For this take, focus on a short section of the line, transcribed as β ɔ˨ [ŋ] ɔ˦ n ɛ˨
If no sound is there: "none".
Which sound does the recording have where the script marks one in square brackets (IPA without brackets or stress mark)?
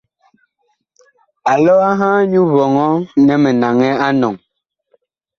ŋ